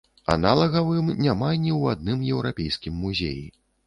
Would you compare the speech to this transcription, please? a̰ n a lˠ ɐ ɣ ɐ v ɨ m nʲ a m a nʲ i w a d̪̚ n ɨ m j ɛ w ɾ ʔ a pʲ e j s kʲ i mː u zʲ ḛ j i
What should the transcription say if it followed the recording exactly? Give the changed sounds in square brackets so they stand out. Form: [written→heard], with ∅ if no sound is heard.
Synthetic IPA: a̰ n a lˠ ɐ ɣ ɐ v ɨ m nʲ a m a nʲ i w a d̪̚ n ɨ m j ɛ w ɾ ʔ a pʲ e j s kʲ i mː u zʲ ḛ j i